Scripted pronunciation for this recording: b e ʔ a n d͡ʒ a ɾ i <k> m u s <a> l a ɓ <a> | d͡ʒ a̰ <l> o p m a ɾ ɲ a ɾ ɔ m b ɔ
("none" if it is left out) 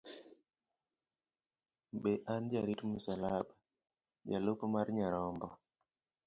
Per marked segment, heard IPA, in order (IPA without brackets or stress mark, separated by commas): t, a, a, l